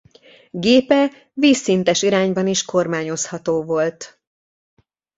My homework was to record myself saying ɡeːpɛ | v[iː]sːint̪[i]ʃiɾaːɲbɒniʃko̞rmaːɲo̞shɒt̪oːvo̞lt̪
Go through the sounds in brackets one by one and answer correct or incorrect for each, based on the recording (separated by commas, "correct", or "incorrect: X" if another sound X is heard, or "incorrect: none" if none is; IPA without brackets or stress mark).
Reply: correct, incorrect: ɛ